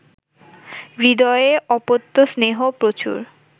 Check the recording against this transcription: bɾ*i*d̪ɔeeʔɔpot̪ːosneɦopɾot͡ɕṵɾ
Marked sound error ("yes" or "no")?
no